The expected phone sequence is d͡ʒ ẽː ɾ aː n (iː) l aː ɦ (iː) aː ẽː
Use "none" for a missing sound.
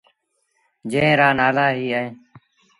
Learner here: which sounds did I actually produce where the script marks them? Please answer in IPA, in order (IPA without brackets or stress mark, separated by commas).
aː, iː